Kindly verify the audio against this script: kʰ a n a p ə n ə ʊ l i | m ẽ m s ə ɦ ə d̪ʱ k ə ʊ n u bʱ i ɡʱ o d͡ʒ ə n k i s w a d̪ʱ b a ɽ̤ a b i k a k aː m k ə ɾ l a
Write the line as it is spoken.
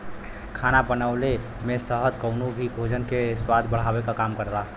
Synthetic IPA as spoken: kʰ a n a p ə n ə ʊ l e | m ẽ s ə ɦ ə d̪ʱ k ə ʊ n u bʱ i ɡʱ o d͡ʒ ə n k e s w a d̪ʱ b ə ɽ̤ a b e k a k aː m k ə ɾ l a